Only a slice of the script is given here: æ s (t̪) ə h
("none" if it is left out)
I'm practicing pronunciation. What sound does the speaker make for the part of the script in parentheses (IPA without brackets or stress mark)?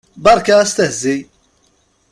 t̪